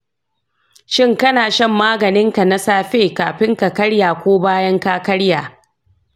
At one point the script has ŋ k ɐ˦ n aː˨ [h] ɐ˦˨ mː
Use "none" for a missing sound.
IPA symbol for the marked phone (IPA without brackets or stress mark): ʃ